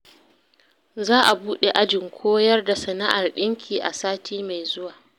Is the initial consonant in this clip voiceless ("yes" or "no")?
no